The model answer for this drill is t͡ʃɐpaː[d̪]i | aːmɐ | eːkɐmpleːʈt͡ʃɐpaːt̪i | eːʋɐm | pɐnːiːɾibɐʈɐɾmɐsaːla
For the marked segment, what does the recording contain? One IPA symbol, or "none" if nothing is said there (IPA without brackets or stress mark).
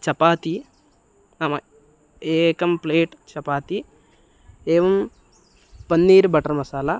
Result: t̪